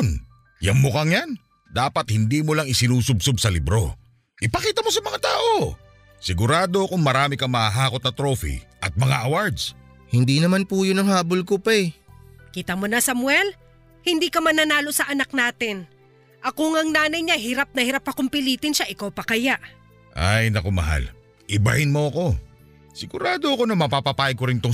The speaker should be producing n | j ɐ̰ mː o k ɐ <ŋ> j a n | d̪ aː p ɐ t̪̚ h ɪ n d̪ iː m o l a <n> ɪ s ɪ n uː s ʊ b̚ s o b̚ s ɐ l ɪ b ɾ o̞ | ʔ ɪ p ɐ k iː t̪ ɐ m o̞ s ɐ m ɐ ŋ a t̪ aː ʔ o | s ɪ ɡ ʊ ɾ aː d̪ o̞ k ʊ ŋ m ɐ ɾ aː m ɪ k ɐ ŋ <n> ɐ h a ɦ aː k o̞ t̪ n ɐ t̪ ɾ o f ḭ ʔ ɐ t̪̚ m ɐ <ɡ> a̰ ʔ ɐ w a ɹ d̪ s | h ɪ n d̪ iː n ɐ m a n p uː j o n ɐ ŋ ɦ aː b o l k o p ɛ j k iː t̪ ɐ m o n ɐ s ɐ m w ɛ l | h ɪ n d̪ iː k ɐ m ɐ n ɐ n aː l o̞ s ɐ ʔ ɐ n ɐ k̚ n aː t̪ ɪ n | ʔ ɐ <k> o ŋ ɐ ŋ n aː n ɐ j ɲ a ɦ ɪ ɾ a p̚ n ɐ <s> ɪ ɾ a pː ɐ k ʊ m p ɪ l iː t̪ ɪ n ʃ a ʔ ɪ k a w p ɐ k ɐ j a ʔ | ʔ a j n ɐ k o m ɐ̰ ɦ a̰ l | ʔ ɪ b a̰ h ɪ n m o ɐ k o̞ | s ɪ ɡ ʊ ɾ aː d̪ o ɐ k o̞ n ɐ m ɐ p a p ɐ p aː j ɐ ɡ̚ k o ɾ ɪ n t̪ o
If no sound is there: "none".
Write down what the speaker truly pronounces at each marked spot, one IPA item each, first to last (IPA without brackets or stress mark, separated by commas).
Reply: ŋ, ŋ, m, ŋ, k, h